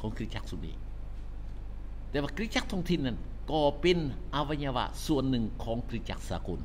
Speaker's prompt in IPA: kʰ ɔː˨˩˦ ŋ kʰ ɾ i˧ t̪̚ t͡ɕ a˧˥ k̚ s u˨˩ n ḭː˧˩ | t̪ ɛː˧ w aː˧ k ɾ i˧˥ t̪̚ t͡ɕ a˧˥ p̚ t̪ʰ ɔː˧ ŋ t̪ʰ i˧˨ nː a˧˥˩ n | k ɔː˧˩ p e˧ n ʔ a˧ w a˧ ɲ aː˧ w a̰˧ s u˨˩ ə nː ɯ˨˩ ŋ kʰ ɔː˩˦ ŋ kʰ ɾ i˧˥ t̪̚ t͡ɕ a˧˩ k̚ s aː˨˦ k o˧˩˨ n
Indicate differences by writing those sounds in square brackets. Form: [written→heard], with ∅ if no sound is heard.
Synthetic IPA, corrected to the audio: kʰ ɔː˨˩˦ ŋ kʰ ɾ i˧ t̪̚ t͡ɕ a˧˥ k̚ s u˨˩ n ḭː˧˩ | t̪ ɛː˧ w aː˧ k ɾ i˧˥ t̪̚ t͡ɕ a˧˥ [p̚→k̚] t̪ʰ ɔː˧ ŋ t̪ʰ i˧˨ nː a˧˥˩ n | k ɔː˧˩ p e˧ n ʔ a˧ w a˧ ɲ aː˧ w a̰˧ s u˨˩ ə nː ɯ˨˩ ŋ kʰ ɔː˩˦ ŋ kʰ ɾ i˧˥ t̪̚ t͡ɕ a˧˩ k̚ s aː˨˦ k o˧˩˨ n